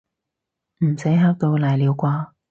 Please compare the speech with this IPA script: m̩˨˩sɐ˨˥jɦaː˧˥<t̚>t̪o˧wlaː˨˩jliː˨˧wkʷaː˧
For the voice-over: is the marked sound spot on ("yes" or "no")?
no